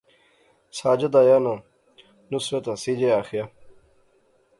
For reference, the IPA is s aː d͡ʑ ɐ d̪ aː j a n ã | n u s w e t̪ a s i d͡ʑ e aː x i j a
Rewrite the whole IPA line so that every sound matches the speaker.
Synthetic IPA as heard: s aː d͡ʑ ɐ d̪ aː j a n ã | n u s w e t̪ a s i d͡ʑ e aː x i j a